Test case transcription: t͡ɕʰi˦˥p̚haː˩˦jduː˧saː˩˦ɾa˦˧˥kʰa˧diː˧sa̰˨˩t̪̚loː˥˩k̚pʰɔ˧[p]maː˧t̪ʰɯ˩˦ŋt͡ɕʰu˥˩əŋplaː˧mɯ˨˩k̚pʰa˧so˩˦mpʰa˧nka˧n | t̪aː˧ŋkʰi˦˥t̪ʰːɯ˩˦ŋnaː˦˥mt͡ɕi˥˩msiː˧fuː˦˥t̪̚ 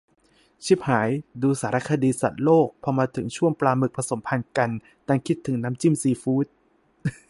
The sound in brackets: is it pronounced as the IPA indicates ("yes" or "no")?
no